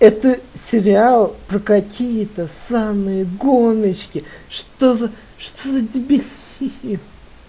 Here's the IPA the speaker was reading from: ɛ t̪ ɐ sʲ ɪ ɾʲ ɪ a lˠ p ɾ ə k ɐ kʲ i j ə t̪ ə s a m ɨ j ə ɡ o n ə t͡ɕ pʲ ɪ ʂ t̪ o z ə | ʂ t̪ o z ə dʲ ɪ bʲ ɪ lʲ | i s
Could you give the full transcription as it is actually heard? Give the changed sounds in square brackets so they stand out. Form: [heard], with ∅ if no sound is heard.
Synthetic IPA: ɛ t̪ [ə] sʲ ɪ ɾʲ ɪ a lˠ p ɾ ə k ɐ kʲ i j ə t̪ ə s a m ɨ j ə ɡ o n ə t͡ɕ [kʲ] ɪ ʂ t̪ o z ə | ʂ t̪ o z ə dʲ ɪ bʲ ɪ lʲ | i s